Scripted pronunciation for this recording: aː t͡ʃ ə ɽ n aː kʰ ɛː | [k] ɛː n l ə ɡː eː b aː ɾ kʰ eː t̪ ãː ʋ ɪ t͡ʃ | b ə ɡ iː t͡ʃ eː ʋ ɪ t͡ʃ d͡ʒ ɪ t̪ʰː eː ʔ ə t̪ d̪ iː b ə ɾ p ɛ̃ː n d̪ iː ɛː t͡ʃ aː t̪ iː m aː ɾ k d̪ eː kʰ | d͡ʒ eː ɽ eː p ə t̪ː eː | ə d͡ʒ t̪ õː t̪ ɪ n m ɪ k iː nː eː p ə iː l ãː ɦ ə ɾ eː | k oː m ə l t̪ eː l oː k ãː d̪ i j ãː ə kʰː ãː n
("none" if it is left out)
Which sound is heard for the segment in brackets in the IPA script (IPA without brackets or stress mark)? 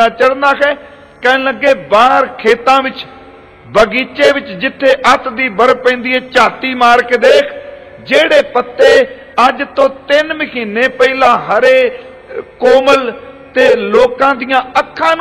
k